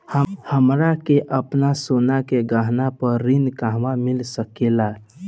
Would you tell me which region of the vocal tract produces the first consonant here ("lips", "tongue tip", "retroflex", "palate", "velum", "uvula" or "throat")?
throat